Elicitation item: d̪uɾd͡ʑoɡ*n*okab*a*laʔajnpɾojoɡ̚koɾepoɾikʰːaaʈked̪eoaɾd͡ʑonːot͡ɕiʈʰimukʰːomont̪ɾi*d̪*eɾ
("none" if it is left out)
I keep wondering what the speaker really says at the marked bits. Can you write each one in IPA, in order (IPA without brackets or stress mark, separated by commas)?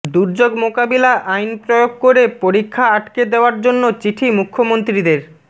m, i, d̪